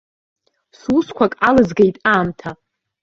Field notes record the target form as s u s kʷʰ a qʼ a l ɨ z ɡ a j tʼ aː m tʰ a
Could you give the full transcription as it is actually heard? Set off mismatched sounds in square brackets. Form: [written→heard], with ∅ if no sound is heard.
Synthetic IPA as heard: s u s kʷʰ a [qʼ→kʼ] a l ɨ z ɡ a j tʼ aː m tʰ a